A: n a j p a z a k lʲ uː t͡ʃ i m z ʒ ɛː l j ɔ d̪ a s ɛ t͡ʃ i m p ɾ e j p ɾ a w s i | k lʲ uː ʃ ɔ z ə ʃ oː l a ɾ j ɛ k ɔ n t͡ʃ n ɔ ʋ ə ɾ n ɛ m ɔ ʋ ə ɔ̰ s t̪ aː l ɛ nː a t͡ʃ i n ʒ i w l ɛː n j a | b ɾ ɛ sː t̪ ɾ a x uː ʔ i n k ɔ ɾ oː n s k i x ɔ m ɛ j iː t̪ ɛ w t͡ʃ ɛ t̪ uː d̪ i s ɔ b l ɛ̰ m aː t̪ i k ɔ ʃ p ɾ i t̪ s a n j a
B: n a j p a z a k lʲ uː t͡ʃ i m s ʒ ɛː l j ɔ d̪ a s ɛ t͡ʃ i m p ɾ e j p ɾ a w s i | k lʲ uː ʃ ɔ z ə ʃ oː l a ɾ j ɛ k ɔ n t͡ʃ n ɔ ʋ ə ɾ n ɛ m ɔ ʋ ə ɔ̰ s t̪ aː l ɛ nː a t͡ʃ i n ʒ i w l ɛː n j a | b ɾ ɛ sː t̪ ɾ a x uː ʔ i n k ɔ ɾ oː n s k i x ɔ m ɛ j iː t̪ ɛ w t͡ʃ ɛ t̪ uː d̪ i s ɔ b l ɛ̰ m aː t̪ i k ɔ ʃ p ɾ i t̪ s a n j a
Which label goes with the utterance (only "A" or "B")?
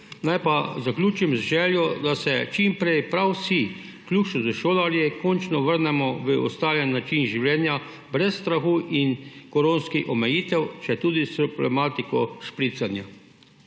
A